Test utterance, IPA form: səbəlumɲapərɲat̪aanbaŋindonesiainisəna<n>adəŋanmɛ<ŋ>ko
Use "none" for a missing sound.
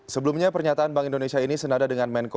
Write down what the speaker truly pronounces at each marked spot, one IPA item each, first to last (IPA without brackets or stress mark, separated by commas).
d, n